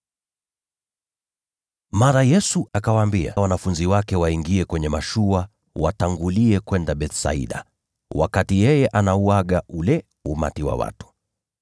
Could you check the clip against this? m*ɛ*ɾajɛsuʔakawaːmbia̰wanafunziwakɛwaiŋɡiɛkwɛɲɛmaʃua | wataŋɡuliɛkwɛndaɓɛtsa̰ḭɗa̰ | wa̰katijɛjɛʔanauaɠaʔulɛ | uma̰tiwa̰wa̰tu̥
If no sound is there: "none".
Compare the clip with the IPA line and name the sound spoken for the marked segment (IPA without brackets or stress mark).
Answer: a